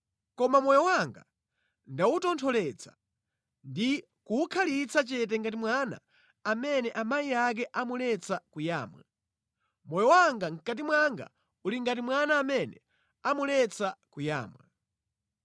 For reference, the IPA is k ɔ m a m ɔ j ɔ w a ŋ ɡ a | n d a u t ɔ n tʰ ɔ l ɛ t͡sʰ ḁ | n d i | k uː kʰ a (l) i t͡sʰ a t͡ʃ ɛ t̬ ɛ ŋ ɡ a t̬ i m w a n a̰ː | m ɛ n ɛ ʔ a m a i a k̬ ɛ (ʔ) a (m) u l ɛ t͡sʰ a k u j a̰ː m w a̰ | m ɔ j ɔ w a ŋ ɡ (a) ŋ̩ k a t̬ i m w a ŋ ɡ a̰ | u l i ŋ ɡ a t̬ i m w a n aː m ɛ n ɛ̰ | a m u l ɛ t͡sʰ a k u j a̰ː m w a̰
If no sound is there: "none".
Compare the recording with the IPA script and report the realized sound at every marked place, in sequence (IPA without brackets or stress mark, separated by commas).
l, ʔ, m, a